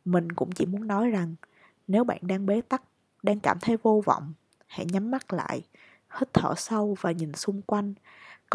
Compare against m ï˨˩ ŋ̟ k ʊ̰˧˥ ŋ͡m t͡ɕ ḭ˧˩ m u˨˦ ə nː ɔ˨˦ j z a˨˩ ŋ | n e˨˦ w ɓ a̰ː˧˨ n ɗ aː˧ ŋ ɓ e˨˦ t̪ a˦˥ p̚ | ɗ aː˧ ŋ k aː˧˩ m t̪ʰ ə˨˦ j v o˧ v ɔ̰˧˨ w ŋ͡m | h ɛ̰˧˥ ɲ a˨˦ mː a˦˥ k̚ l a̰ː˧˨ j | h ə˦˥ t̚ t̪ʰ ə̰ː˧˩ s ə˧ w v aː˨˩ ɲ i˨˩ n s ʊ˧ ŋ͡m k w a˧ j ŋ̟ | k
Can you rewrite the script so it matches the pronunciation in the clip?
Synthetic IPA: m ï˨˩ ŋ̟ k ʊ̰˧˥ ŋ͡m t͡ɕ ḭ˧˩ m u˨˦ ə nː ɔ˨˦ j z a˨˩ ŋ | n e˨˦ w ɓ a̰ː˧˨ n ɗ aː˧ ŋ ɓ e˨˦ t̪ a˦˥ k̚ | ɗ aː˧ ŋ k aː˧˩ m t̪ʰ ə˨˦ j v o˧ v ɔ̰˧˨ w ŋ͡m | h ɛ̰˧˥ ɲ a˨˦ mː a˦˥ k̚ l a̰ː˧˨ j | h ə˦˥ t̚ t̪ʰ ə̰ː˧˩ s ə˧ w v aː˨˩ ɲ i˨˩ n s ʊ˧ ŋ͡m k w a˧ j ŋ̟ | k